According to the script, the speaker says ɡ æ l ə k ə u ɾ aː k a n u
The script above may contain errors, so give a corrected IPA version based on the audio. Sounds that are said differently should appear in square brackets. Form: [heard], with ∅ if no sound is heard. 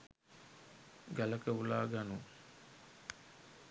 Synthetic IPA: ɡ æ l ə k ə u [l] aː [ɡ] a n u